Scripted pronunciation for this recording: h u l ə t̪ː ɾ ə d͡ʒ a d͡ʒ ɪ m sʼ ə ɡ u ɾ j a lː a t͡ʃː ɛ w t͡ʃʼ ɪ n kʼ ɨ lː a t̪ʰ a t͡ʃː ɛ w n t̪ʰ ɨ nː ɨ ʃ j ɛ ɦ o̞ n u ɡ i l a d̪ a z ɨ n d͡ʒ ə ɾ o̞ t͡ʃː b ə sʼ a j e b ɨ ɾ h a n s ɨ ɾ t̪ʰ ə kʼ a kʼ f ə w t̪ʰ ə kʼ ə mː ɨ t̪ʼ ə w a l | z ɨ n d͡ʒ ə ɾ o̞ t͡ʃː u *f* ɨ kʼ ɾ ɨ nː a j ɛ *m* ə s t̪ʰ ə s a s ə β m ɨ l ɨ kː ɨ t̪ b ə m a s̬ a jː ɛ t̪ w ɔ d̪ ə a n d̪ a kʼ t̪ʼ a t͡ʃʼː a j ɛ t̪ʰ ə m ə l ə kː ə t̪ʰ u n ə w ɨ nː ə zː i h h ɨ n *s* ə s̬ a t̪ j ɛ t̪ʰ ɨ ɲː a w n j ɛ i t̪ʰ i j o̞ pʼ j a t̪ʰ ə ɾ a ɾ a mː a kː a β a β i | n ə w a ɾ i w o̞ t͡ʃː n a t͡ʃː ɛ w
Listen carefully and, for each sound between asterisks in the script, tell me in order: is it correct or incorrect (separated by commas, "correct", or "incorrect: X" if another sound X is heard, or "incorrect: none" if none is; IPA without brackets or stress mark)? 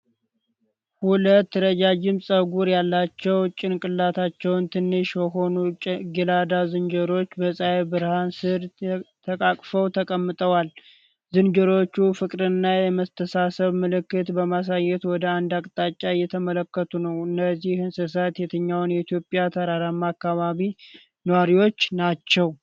correct, correct, correct